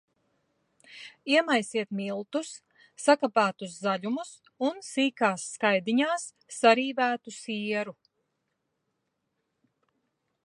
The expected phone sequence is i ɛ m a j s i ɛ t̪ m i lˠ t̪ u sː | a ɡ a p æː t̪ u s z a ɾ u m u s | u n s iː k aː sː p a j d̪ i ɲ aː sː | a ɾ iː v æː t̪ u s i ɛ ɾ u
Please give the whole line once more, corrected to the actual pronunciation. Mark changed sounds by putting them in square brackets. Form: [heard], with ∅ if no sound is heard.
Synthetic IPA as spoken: i ɛ m a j s i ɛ t̪ m i lˠ t̪ u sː | a [k] a p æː t̪ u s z a [ʎ] u m u s | u n s iː k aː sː [k] a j d̪ i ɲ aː sː | a ɾ iː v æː t̪ u s i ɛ ɾ u